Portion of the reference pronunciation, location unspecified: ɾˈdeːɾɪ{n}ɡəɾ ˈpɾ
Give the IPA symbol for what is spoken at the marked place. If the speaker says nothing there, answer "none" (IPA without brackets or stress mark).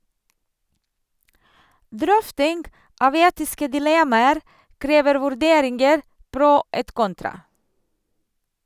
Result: ŋ